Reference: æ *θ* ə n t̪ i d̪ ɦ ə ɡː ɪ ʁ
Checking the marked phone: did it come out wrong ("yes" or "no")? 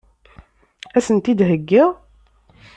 yes